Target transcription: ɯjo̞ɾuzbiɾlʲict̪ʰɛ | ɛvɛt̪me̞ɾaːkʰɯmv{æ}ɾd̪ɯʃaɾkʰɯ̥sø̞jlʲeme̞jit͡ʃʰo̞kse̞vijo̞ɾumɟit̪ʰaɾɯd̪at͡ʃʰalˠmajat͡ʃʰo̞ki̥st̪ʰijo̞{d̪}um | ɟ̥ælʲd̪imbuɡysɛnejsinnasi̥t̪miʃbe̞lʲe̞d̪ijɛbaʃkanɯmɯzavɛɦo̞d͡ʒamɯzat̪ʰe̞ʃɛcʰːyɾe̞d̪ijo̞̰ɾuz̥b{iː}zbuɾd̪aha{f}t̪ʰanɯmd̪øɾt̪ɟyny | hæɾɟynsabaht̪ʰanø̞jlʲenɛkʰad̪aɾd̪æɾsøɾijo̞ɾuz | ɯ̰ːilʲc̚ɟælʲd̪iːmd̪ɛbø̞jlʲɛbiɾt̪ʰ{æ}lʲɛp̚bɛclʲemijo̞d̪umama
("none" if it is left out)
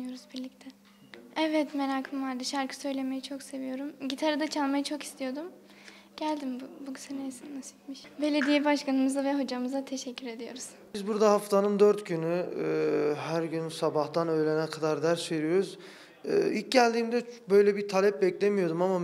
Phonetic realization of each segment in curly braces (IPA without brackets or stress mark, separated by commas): a, d̪, i, f, a